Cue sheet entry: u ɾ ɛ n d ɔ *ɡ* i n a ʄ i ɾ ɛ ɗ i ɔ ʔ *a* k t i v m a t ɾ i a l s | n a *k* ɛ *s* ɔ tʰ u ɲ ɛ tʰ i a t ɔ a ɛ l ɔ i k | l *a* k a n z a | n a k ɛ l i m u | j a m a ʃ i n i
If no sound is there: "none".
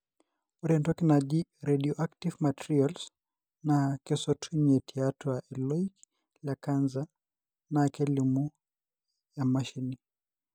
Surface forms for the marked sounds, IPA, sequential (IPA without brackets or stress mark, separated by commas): k, a, k, s, a